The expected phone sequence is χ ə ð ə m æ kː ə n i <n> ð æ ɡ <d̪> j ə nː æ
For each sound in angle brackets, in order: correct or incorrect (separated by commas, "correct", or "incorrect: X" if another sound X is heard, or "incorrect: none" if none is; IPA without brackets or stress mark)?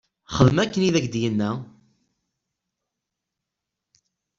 incorrect: none, correct